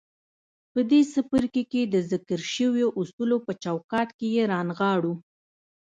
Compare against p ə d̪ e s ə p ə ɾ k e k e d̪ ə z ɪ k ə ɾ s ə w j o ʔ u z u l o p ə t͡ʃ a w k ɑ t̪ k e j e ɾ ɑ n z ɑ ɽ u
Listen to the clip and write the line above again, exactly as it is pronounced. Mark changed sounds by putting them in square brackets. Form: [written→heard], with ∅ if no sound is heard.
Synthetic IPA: p ə d̪ e s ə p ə ɾ k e k e d̪ ə z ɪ k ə ɾ [s→ʃ] ə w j o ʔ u [z→s] u l o p ə t͡ʃ a w k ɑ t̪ k e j e ɾ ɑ n [z→ɣ] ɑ ɽ u